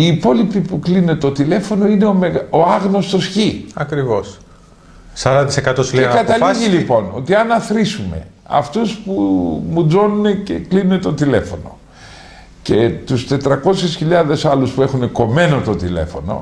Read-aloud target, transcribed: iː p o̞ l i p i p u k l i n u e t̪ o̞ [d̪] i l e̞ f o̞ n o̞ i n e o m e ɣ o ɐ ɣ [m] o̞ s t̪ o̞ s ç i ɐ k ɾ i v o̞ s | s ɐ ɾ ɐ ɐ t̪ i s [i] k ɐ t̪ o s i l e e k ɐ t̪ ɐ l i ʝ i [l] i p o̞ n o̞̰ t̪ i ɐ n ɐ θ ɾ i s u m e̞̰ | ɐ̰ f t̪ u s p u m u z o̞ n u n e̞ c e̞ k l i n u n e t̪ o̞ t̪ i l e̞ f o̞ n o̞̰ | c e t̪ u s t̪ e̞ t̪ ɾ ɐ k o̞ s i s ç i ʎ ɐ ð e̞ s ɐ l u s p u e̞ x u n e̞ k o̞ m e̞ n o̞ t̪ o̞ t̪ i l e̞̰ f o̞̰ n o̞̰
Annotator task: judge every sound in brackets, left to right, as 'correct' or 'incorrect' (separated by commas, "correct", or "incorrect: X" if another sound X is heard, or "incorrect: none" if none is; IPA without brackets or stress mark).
incorrect: t̪, incorrect: n, incorrect: e, correct